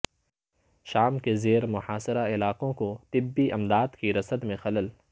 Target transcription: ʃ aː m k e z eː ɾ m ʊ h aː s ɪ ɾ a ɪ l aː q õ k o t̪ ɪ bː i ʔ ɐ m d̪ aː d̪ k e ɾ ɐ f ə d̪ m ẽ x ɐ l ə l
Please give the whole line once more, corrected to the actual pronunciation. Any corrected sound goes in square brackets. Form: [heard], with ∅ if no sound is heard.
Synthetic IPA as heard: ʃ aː m k e z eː ɾ m ʊ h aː s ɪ ɾ a ɪ l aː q õ k o t̪ ɪ bː i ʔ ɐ m d̪ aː d̪ k [i] ɾ ɐ [s] ə d̪ m ẽ x ɐ l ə l